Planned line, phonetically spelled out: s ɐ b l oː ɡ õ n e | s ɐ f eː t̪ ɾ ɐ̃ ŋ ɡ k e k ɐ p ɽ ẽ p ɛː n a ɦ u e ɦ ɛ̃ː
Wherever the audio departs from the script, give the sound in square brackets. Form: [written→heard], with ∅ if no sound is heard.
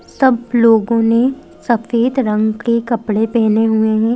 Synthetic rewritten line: s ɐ b l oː ɡ õ n e | s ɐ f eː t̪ ɾ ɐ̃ ŋ ɡ k e k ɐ p ɽ [ẽ→e] p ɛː n [a→e] ɦ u e ɦ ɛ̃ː

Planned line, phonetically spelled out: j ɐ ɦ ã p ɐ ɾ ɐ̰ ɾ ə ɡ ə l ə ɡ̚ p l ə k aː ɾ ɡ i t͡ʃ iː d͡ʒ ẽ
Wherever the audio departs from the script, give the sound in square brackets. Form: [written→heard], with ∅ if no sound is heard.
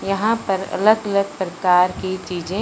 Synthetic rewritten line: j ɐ ɦ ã p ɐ ɾ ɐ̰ [ɾ→l] ə ɡ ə l ə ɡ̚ p [l→ɾ] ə k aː ɾ [ɡ→k] i t͡ʃ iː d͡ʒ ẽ

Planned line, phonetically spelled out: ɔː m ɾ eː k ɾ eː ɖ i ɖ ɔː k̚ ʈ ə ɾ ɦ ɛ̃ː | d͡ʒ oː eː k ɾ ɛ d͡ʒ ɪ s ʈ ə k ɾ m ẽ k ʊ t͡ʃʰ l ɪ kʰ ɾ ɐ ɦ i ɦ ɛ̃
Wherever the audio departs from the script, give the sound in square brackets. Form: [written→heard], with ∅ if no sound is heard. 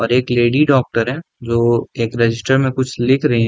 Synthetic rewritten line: ɔː [m→∅] ɾ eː k [ɾ→l] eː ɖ i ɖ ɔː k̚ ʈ ə ɾ ɦ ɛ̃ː | d͡ʒ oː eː k ɾ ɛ d͡ʒ ɪ s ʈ ə [k→∅] ɾ m ẽ k ʊ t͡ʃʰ l ɪ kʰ ɾ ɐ ɦ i ɦ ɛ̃

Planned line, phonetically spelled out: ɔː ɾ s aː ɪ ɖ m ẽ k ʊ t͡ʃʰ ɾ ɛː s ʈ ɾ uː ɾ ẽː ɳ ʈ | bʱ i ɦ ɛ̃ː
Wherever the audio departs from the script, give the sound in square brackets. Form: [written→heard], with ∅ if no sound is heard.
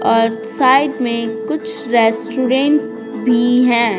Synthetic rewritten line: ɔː ɾ s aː ɪ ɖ m ẽ k ʊ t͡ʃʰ ɾ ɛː s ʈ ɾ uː ɾ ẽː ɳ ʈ | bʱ i ɦ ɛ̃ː

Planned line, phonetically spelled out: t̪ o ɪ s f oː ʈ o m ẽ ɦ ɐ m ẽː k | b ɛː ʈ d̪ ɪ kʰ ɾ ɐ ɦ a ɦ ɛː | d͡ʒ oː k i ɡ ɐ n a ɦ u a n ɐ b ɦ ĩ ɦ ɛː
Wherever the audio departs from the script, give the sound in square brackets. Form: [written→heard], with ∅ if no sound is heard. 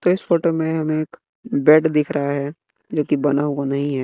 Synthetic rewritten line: t̪ o ɪ s f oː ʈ o m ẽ ɦ ɐ m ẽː k | b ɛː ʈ d̪ ɪ kʰ ɾ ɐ ɦ a ɦ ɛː | d͡ʒ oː k i [ɡ→b] ɐ n a ɦ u a n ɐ [b→∅] ɦ ĩ ɦ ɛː

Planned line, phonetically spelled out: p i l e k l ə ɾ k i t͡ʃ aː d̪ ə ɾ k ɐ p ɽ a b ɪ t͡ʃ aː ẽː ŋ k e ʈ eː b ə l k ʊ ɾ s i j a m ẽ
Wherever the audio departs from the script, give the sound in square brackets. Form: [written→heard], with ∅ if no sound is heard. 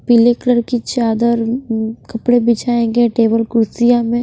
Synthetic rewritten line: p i l e k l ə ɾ k i t͡ʃ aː d̪ ə ɾ k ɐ p ɽ [a→e] b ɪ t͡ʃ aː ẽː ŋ [k→ɡ] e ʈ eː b ə l k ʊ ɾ s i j a m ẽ

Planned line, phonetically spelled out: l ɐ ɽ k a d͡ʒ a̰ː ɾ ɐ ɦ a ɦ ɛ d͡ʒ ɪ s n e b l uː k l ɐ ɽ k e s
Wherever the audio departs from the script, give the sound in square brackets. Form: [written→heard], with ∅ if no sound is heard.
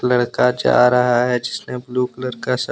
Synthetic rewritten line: l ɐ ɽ k a d͡ʒ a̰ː ɾ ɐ ɦ a ɦ ɛ d͡ʒ ɪ s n e b l uː k l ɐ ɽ k [e→a] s

